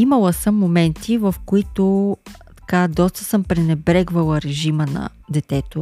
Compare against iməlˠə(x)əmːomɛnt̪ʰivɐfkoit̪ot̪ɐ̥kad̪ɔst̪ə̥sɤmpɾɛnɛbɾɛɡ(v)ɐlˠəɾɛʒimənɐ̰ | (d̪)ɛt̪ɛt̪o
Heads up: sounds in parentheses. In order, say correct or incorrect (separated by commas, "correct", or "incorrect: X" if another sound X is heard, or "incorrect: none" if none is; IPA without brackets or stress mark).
incorrect: s, correct, correct